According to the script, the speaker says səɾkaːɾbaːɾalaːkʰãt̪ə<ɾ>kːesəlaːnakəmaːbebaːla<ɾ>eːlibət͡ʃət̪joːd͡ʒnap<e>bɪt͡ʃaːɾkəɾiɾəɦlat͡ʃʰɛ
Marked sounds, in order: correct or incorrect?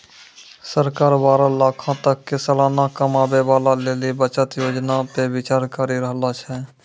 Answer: incorrect, incorrect, correct

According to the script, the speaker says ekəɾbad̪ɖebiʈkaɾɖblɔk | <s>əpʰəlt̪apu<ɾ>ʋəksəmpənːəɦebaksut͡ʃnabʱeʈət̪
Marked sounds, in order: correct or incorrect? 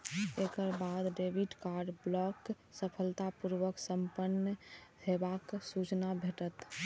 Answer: correct, correct

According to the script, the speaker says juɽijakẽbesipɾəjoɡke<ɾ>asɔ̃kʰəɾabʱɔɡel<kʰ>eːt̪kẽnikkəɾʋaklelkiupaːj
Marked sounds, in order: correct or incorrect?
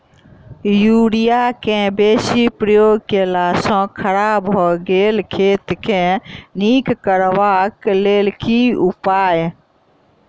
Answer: incorrect, correct

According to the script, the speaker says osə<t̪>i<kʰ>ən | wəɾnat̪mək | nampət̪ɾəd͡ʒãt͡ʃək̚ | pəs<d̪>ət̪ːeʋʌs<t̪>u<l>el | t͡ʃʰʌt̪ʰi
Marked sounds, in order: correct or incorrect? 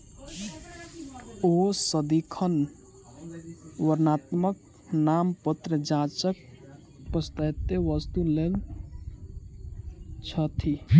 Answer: incorrect, correct, incorrect, correct, correct

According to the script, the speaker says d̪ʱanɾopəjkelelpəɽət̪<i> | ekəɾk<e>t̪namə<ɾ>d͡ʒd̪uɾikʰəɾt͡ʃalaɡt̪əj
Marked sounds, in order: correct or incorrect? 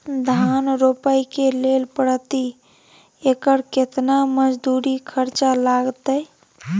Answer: correct, correct, incorrect

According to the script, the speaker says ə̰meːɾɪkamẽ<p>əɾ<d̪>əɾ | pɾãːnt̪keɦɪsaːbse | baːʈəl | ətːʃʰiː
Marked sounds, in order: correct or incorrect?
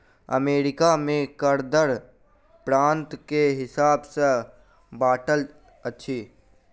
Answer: incorrect, correct

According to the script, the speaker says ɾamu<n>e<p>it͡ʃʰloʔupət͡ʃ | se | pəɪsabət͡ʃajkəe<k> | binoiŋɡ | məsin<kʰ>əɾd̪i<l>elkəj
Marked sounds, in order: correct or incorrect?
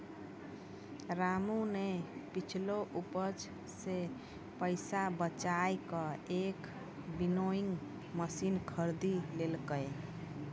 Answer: correct, correct, correct, correct, correct

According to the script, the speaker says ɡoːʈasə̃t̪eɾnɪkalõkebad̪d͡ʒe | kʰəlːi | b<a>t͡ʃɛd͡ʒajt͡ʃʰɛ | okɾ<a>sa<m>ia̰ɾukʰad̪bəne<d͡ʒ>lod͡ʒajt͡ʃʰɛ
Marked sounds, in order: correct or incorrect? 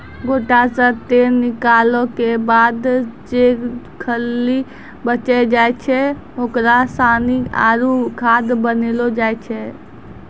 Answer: incorrect, correct, incorrect, incorrect

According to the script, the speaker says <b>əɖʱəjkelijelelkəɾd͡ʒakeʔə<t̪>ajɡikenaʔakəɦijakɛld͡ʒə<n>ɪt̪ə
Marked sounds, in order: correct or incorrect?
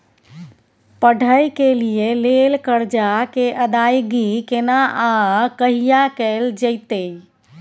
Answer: incorrect, incorrect, incorrect

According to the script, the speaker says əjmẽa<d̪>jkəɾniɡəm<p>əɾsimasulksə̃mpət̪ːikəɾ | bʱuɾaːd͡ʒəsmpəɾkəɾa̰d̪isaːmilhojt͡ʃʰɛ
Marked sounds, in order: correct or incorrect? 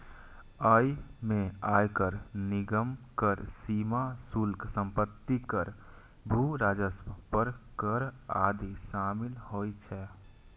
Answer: incorrect, incorrect

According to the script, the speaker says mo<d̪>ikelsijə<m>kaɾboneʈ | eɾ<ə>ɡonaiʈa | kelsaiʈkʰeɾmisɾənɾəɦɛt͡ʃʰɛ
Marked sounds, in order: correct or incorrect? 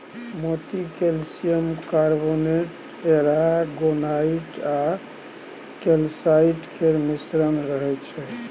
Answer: incorrect, correct, incorrect

